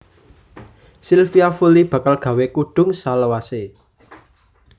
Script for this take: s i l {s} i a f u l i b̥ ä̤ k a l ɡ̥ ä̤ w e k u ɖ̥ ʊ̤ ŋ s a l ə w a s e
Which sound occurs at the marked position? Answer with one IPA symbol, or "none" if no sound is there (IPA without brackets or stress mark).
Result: f